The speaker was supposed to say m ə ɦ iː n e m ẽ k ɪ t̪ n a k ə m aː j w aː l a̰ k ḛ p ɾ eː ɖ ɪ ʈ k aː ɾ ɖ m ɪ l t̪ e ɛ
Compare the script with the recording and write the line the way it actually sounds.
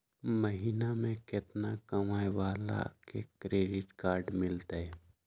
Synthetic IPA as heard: m ə ɦ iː n a m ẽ k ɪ t̪ n a k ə m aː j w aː l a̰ k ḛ k ɾ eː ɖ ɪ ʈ k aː ɾ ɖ m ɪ l t̪ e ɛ